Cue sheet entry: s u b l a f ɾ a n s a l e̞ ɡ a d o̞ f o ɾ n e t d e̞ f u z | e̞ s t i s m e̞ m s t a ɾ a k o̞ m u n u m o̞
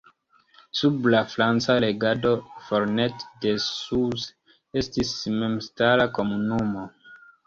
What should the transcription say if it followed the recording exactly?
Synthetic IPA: s u b l a f ɾ a n t͡s a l e̞ ɡ a d o̞ f o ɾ n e t d e̞ s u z | e̞ s t i s m e̞ m s t a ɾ a k o̞ m u n u m o̞